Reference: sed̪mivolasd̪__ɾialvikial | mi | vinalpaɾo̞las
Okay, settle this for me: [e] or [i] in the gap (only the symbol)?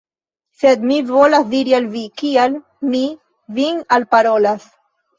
i